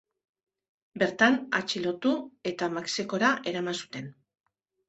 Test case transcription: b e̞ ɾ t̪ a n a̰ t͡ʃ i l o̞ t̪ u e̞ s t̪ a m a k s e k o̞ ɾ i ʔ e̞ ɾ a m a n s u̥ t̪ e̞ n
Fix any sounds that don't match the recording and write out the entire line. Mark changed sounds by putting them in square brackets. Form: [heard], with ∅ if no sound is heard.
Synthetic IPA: b e̞ ɾ t̪ a n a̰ t͡ʃ i l o̞ t̪ u e̞ [∅] t̪ a m a k s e k o̞ ɾ [a] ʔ e̞ ɾ a m a n s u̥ t̪ e̞ n

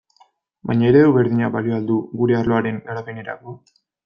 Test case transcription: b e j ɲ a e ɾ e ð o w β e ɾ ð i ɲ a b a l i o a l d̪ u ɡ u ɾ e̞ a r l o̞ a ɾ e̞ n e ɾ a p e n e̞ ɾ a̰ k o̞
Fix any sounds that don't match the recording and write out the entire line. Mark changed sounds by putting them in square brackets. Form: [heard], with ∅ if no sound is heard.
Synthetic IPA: b [a] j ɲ a e ɾ e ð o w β e ɾ ð i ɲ a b a l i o a l d̪ u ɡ u ɾ e̞ a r l o̞ a ɾ e̞ n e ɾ a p e n e̞ ɾ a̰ k o̞

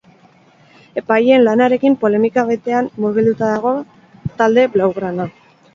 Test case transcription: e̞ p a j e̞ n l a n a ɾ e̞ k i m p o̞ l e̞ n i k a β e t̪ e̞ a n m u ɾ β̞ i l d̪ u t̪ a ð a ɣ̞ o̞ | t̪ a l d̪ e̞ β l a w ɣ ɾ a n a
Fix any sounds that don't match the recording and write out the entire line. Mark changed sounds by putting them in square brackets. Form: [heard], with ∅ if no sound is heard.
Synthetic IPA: e̞ p a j e̞ n l a n a ɾ e̞ k i m p o̞ l e̞ [m] i k a β e t̪ e̞ a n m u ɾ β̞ i l d̪ u t̪ a ð a ɣ̞ o̞ | t̪ a l d̪ e̞ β l a w ɣ ɾ a n a

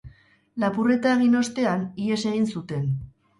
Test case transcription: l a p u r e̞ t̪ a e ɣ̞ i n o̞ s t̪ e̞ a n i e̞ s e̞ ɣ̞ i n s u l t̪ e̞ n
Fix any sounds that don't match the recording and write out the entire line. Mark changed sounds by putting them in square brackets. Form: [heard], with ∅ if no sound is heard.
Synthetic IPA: l a p u r e̞ t̪ a e ɣ̞ i n o̞ s t̪ e̞ a n i e̞ s e̞ ɣ̞ i n s u [∅] t̪ e̞ n

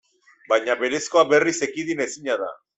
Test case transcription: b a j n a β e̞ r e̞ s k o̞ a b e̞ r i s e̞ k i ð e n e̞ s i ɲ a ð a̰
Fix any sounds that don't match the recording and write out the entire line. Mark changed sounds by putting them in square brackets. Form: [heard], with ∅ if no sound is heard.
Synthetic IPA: b a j [ɲ] a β e̞ [ɾ] e̞ s k o̞ a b e̞ r i s e̞ k i ð [i] n e̞ s i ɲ a ð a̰

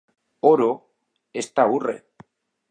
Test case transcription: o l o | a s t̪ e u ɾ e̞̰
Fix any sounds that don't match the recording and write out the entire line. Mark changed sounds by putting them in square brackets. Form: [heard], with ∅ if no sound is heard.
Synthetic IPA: o [ɾ] o | [e] s t̪ [a] u [r] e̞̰

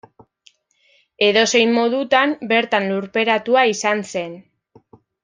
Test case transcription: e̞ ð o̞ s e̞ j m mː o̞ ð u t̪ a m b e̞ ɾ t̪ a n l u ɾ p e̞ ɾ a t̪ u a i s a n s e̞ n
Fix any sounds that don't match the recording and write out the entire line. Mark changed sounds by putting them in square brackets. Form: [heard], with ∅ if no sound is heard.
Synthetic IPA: e̞ ð o̞ s e̞ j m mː o̞ ð u t̪ a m b e̞ ɾ t̪ a n l u ɾ p e̞ ɾ a t̪ u a i s a n s e̞ n

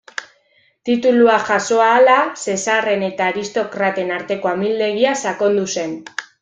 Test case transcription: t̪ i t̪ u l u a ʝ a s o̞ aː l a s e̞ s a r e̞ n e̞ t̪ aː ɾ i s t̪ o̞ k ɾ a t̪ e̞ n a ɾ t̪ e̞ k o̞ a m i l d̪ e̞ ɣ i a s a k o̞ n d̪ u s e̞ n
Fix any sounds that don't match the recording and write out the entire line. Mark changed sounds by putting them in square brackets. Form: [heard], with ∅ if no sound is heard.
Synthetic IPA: t̪ i t̪ u l u a ʝ a s o̞ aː l a s e̞ s a r e̞ n e̞ t̪ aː ɾ i s t̪ o̞ k ɾ a t̪ e̞ n a ɾ t̪ e̞ k o̞ a m i l d̪ e̞ ɣ i a s a k o̞ n d̪ u s e̞ n

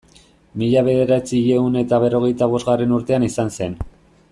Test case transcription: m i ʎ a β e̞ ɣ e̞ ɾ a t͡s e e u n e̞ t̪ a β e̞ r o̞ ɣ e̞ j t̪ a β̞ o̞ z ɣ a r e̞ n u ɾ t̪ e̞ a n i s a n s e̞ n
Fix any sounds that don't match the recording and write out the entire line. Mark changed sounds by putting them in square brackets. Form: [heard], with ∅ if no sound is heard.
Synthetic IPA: m i ʎ a β e̞ [ð] e̞ ɾ a t͡s [i] e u n e̞ t̪ a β e̞ r o̞ ɣ e̞ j t̪ a β̞ o̞ z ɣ a r e̞ n u ɾ t̪ e̞ a n i s a n s e̞ n

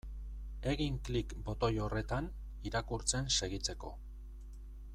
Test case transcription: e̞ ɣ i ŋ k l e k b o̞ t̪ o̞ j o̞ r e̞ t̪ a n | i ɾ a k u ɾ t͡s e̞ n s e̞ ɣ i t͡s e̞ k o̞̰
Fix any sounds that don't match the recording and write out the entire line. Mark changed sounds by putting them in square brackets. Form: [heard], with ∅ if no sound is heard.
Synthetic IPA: e̞ ɣ i ŋ k l [i] k b o̞ t̪ o̞ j o̞ r e̞ t̪ a n | i ɾ a k u ɾ t͡s e̞ n s e̞ ɣ i t͡s e̞ k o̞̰

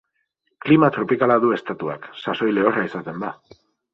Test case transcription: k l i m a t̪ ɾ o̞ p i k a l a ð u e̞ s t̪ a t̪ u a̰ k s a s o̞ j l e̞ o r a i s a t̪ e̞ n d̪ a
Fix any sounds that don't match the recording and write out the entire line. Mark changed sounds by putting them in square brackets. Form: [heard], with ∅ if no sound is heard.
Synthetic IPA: k l i m a t̪ ɾ o̞ p i k a l a ð u e̞ s t̪ a t̪ u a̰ k s a s o̞ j l e̞ o r a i s a t̪ e̞ n d̪ a

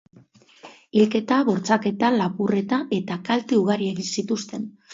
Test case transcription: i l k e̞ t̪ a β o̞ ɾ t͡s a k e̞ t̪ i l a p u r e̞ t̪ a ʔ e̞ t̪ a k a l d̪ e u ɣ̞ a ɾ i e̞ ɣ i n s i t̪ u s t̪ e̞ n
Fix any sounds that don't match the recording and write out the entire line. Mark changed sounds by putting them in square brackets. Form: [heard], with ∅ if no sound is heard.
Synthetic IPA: i l k e̞ t̪ a β o̞ ɾ t͡s a k e̞ t̪ [a] l a p u r e̞ t̪ a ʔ e̞ t̪ a k a l [t̪] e u ɣ̞ a ɾ i e̞ ɣ i n s i t̪ u s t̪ e̞ n

